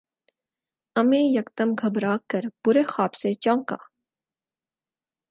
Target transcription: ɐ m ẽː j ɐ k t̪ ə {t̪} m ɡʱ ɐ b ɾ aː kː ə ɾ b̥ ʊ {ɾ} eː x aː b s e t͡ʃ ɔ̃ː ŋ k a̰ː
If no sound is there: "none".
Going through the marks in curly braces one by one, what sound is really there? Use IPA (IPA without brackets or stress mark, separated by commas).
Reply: none, ɾ